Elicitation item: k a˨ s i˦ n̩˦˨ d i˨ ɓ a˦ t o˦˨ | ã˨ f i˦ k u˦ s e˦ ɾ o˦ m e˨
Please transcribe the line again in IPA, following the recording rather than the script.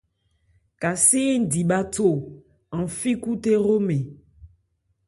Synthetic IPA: k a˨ s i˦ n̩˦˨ d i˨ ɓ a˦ t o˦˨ | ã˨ f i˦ k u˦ t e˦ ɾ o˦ m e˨